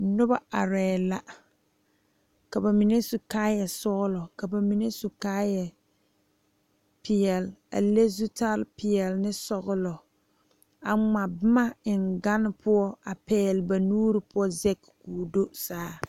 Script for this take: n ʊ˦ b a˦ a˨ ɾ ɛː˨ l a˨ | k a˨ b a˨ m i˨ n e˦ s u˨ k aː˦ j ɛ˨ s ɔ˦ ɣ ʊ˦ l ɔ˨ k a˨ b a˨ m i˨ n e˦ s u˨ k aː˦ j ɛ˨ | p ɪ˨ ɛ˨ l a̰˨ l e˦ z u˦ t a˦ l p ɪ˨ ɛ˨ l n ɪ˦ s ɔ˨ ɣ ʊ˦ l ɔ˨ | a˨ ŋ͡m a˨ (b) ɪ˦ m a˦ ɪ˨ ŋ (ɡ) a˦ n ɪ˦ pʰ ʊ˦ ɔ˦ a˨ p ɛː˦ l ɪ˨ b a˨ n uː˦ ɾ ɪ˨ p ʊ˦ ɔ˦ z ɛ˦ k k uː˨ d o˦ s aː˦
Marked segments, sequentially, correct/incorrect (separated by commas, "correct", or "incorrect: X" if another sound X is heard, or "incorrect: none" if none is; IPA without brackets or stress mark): correct, correct